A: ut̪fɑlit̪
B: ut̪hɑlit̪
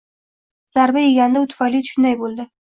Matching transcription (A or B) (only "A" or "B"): A